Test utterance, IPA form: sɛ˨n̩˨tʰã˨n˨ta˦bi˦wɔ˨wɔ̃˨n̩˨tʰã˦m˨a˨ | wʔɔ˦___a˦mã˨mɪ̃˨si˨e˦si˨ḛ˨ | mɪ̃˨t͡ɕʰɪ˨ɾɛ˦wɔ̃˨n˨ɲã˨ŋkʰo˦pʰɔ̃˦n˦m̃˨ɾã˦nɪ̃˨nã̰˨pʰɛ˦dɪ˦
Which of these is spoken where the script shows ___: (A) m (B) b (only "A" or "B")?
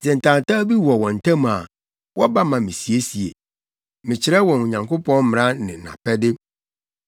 B